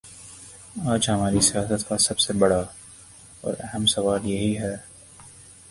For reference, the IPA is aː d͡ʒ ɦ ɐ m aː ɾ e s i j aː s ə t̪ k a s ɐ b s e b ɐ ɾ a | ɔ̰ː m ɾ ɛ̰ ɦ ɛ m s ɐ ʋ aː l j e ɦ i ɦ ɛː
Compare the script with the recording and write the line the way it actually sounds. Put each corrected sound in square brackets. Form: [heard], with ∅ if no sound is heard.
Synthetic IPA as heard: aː d͡ʒ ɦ ɐ m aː ɾ [i] s i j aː s ə t̪ k a s ɐ b s e b ɐ [ɽ] a | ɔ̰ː [∅] ɾ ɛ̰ ɦ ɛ m s ɐ ʋ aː l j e ɦ i ɦ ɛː